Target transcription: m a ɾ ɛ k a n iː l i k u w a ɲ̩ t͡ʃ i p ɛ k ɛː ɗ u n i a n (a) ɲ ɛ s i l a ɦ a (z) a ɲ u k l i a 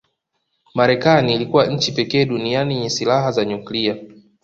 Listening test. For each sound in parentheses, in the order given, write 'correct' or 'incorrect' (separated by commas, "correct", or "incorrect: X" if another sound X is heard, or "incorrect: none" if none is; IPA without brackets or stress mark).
incorrect: i, correct